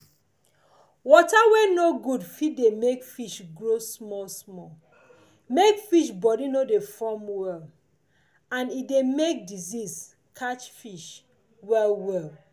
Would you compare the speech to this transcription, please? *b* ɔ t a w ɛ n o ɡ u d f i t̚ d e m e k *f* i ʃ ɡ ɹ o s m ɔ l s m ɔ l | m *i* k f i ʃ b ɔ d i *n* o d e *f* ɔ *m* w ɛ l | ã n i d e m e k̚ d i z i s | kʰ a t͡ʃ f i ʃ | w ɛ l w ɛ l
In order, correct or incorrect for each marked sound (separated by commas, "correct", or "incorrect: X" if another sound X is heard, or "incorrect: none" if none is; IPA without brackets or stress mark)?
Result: incorrect: w, correct, incorrect: e, correct, correct, correct